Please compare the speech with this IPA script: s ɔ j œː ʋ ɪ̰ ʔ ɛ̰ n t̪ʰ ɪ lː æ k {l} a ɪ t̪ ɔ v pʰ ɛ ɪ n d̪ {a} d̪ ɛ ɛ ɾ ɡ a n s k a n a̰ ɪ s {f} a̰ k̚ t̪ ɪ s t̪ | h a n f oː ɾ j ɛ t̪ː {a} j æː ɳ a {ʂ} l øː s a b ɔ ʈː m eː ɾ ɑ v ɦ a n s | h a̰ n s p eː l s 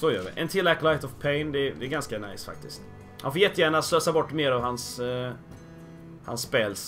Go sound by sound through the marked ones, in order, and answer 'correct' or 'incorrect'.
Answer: correct, incorrect: ɛ, correct, incorrect: ə, incorrect: s

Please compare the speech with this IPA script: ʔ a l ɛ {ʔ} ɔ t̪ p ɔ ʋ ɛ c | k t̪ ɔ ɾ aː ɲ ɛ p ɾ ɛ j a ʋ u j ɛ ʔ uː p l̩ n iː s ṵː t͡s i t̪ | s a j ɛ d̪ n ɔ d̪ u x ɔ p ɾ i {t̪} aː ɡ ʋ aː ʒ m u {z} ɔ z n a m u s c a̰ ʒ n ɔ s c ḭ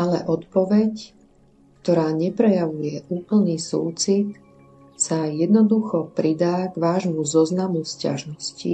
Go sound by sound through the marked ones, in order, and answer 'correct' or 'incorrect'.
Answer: correct, incorrect: d̪, correct

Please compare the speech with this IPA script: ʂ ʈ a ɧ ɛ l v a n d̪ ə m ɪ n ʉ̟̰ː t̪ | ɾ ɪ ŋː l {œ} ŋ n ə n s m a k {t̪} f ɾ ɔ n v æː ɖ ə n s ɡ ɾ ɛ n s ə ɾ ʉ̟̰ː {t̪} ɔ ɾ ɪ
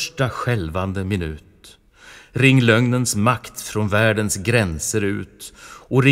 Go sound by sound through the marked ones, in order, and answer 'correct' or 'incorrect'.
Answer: correct, correct, correct

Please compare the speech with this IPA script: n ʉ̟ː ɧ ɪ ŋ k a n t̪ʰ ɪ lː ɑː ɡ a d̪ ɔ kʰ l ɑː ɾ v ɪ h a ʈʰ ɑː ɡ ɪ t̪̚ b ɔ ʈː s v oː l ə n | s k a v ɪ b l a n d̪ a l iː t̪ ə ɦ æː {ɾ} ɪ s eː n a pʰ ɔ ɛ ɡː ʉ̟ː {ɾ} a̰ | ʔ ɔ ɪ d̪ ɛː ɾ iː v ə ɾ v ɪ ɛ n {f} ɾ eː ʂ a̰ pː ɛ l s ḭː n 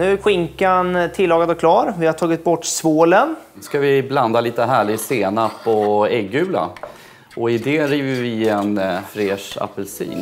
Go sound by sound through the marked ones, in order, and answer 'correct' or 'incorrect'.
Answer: incorrect: ɭ, incorrect: l, correct

